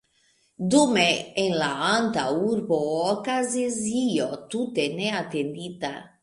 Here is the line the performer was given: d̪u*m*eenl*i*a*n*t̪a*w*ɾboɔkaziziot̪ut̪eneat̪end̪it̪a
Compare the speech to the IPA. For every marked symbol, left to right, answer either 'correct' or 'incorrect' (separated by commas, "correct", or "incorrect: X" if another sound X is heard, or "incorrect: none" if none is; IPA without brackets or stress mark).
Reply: correct, incorrect: a, correct, incorrect: u